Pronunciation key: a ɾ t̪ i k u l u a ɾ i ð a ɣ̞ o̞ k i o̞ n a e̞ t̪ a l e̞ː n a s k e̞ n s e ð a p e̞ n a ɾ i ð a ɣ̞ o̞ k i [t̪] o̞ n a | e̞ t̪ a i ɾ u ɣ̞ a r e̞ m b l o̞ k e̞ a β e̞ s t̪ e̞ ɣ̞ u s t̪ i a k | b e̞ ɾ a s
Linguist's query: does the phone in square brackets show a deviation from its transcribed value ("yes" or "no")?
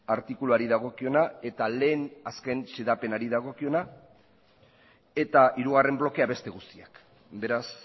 yes